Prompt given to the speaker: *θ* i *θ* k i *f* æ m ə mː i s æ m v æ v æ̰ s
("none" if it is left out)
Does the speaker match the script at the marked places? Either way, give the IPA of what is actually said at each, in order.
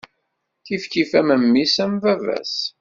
θ, f, f

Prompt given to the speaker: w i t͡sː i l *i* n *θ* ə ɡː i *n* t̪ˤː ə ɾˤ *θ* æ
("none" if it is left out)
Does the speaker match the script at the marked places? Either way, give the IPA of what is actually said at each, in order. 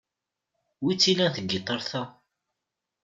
æ, θ, none, θ

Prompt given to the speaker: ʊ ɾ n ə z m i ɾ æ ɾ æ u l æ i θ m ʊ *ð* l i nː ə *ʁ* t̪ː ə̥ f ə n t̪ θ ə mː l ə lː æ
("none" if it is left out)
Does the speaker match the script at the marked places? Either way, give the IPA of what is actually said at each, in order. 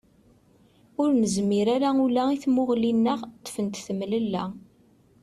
ʁ, ʁ

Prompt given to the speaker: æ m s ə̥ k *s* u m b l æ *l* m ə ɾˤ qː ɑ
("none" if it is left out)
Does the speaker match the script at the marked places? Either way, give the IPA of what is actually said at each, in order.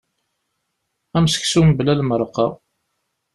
s, l

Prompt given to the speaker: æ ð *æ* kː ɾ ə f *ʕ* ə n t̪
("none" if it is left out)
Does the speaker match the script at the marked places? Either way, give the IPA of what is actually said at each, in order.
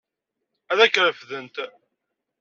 æ, ð

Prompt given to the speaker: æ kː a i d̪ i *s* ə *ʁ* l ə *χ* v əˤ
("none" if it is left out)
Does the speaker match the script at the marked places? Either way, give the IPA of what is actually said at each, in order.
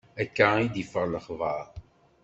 f, ʁ, χ

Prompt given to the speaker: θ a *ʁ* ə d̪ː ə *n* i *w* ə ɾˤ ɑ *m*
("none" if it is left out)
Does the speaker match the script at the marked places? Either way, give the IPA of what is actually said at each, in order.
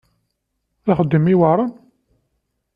χ, m, w, n

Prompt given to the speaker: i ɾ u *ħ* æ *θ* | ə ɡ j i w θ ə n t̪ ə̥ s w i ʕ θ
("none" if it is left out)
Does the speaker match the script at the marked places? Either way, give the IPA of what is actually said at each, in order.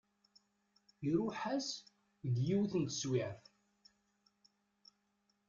ħ, s

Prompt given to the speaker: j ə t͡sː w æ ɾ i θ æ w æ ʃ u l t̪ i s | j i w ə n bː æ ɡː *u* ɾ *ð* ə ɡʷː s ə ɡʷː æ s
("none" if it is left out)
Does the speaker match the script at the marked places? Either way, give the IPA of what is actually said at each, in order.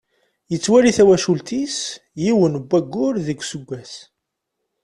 ʊ, ð

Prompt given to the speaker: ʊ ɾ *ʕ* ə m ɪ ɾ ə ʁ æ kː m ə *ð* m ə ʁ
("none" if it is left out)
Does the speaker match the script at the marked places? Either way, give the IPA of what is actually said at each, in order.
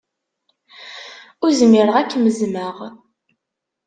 z, z

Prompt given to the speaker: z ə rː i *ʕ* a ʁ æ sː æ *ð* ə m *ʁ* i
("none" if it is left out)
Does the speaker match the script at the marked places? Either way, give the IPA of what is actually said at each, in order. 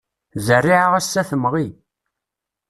ʕ, θ, ʁ

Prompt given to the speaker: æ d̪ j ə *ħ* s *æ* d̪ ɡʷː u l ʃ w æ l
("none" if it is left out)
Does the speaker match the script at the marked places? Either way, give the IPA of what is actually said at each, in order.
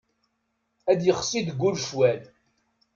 χ, i

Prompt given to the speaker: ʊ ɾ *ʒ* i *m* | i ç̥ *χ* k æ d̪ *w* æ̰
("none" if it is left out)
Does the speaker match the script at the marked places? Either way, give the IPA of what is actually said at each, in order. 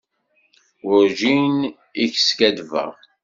ʒ, n, s, v

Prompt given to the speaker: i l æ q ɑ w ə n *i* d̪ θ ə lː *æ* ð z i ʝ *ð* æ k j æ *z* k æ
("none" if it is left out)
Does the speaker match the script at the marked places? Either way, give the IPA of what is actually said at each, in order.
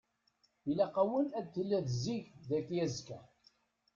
æ, æ, ð, z

